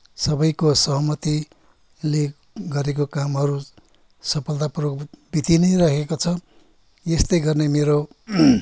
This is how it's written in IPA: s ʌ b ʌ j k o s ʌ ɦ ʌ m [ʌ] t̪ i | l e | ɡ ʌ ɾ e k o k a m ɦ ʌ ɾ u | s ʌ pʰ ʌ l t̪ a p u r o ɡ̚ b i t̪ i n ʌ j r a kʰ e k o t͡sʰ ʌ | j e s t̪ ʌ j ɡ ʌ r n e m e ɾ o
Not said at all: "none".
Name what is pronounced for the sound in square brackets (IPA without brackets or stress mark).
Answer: ʌ